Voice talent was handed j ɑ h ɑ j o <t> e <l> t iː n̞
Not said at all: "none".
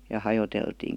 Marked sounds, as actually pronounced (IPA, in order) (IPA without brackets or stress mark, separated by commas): t, l